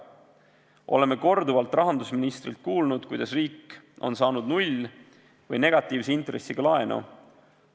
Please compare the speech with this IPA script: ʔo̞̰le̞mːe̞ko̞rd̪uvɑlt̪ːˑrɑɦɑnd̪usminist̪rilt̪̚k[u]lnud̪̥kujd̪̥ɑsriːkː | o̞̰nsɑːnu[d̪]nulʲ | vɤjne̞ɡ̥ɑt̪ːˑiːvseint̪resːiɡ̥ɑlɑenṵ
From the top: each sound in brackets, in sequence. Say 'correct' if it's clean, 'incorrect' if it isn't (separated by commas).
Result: incorrect, correct